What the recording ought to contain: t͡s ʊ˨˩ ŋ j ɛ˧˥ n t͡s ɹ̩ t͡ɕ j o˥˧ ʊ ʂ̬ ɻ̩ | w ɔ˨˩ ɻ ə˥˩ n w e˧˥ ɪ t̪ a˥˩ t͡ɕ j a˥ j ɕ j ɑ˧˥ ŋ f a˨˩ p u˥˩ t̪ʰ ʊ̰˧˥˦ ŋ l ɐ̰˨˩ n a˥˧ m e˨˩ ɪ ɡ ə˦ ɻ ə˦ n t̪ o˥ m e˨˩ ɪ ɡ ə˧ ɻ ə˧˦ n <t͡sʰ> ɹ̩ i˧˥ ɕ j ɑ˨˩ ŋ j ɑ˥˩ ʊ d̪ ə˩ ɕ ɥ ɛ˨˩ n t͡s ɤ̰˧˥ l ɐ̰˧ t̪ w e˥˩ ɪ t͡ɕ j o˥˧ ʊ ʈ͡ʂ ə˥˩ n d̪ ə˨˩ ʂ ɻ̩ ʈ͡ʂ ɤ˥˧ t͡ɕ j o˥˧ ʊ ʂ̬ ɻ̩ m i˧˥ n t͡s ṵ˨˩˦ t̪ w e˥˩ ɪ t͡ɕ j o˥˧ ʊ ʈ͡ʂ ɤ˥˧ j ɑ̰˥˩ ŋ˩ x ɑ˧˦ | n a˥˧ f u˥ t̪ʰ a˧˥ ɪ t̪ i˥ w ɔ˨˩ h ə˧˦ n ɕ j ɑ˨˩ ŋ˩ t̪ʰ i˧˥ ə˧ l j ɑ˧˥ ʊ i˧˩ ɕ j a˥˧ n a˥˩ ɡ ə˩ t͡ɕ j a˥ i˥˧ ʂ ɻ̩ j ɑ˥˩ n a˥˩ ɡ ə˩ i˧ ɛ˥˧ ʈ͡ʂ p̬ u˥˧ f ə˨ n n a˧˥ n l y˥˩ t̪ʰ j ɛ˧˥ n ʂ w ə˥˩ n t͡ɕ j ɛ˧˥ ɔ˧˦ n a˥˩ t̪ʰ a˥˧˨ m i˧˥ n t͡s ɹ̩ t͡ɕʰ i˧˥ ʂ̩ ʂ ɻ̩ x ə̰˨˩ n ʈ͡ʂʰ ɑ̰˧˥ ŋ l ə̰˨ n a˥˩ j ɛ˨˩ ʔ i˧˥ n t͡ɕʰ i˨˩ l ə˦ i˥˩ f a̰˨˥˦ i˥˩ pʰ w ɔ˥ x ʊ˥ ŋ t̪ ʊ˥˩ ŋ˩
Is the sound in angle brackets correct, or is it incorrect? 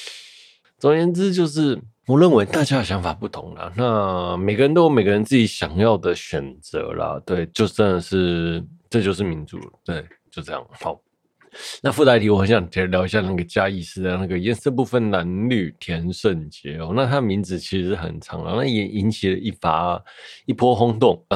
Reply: incorrect